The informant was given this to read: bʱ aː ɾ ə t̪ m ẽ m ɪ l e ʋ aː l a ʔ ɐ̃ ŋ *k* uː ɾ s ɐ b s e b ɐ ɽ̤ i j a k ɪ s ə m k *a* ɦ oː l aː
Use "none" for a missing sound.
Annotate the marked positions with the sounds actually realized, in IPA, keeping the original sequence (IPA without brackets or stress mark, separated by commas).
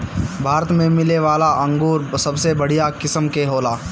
ɡ, e